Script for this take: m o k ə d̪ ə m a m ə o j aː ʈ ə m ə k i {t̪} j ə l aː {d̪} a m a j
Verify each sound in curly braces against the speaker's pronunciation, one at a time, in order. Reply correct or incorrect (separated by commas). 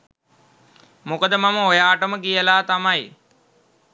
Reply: incorrect, incorrect